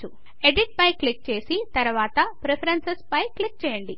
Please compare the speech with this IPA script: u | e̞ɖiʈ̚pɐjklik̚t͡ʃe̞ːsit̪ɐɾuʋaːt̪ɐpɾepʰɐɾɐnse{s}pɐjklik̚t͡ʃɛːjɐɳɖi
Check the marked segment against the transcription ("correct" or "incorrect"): correct